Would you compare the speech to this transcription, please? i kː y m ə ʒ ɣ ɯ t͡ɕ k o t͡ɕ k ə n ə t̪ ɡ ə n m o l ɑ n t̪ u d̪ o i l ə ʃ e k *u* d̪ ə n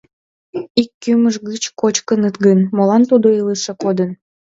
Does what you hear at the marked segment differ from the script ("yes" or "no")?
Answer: yes